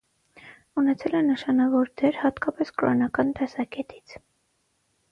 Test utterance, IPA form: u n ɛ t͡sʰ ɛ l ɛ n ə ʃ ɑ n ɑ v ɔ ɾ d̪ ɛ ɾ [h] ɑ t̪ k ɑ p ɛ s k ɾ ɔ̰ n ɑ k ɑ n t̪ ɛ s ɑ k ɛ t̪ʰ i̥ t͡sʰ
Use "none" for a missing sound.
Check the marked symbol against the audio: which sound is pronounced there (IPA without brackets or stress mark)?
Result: h